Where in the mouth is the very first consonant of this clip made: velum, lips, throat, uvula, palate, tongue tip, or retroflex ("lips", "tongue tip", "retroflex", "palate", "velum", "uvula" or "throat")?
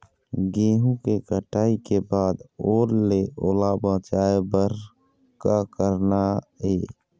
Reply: velum